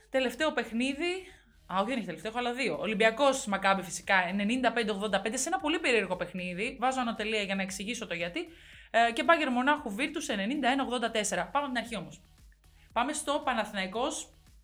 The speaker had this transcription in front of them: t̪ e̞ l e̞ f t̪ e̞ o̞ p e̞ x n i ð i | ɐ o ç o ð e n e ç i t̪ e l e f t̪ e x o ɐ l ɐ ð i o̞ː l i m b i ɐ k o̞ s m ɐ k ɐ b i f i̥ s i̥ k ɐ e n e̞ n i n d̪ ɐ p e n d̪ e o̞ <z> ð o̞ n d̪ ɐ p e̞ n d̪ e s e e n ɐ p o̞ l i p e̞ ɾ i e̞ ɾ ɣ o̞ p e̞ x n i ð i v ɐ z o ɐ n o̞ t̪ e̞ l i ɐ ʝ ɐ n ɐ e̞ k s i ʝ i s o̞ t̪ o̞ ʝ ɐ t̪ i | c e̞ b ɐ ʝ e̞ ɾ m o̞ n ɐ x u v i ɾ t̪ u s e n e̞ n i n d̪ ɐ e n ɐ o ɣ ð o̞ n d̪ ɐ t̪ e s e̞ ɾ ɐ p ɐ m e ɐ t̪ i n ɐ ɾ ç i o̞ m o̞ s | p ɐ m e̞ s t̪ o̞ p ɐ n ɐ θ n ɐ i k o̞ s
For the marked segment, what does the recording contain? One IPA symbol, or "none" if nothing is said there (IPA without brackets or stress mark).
ɣ